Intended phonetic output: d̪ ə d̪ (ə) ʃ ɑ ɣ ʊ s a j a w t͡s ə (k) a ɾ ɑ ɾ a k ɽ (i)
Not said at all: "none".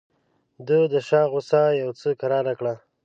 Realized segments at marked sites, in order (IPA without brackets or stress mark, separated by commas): ə, k, a